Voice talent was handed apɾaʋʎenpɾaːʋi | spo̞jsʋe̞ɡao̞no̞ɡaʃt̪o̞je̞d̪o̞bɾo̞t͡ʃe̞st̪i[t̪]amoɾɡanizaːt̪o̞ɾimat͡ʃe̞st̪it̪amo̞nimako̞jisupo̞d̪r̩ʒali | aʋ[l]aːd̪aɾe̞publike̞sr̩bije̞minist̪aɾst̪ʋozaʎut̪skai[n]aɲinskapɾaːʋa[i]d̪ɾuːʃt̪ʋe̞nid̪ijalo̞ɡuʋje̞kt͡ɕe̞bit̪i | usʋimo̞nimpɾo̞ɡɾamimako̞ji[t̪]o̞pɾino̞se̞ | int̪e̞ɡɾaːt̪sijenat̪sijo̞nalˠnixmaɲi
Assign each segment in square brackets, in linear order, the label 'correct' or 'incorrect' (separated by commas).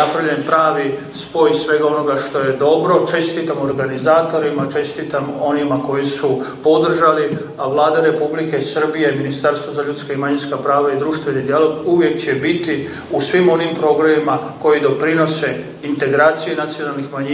correct, correct, incorrect, correct, incorrect